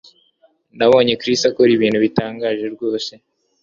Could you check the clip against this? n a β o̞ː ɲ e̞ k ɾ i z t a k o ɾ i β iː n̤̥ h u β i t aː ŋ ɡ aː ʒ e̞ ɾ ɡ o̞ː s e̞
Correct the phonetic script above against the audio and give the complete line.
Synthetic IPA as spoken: n a β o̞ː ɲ e̞ k ɾ i s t a k o ɾ i β iː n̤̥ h u β i t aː ŋ ɡ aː ʒ e̞ ɾ ɡ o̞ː s e̞